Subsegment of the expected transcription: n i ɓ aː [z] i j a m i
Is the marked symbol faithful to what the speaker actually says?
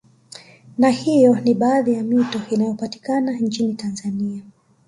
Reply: no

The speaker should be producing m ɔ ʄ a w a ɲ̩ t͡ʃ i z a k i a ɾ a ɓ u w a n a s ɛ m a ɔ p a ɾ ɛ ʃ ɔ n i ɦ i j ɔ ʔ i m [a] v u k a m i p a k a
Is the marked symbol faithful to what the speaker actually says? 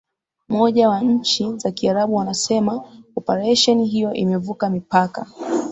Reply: no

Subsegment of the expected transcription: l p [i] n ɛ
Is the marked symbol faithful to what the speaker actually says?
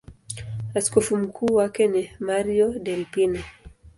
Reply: yes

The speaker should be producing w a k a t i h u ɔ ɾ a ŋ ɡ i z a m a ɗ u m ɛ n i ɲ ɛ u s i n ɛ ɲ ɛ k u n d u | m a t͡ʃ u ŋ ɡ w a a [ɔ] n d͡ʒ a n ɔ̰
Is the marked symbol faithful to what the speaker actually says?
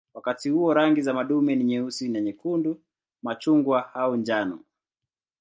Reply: no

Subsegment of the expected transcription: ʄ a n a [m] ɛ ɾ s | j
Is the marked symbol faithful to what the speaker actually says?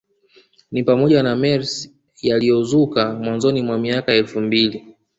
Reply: yes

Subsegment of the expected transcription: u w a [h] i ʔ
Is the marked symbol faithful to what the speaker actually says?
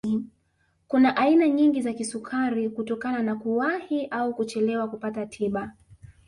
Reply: yes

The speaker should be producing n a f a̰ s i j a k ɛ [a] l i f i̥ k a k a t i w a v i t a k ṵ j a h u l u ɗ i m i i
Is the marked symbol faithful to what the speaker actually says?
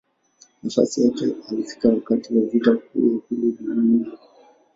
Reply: yes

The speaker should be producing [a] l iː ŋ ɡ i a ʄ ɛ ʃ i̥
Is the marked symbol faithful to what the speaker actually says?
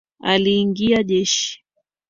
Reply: yes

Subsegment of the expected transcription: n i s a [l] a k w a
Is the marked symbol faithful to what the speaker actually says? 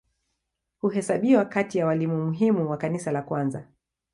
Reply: yes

